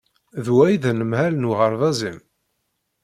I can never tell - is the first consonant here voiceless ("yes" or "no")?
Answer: no